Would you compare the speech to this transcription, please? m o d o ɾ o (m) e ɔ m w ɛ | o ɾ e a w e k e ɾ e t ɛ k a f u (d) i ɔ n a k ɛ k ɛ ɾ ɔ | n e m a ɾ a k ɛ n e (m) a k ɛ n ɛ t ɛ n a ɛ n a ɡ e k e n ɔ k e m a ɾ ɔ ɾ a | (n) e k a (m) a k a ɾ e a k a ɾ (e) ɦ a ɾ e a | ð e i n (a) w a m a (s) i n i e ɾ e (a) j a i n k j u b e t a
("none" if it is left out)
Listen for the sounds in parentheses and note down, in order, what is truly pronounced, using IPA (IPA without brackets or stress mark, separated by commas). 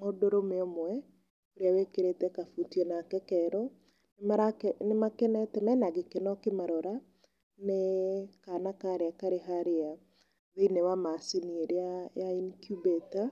m, t, m, n, n, e, e, s, a